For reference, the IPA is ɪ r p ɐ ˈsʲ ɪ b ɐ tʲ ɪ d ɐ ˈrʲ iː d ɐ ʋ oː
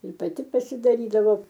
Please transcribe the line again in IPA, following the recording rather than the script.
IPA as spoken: ɪ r p ɐ ˈtʲ ɪ p ɐ sʲ ɪ d ɐ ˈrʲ iː d ɐ ʋ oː